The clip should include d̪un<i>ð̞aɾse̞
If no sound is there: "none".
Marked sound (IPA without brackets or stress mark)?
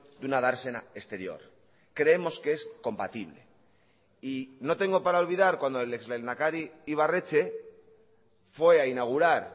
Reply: a